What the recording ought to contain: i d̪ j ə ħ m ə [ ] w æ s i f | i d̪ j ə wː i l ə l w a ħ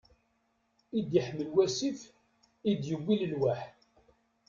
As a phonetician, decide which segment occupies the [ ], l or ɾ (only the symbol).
l